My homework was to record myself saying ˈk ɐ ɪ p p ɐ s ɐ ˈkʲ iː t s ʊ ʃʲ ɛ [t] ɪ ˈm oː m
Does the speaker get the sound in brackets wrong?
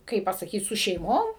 yes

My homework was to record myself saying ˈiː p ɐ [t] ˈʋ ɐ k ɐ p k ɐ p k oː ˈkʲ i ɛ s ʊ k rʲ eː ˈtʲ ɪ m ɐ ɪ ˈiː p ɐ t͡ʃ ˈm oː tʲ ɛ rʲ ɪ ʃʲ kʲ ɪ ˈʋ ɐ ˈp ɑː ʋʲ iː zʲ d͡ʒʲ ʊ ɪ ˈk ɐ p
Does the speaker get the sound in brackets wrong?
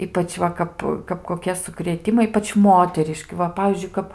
yes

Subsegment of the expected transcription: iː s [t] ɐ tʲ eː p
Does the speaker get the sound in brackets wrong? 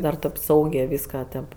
yes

